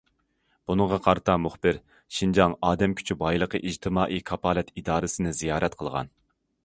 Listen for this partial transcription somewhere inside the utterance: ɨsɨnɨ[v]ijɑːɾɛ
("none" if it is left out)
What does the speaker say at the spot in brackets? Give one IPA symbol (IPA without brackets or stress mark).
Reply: z